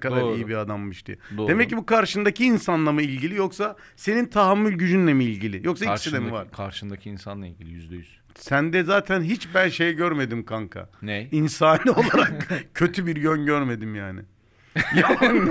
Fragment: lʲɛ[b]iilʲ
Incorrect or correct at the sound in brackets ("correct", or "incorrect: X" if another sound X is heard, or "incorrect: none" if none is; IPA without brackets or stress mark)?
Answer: incorrect: m